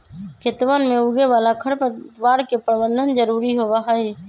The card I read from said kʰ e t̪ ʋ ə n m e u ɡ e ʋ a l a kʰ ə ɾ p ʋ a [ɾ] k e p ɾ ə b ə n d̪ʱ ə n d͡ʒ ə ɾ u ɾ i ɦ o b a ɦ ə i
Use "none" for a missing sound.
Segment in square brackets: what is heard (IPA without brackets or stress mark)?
ɾ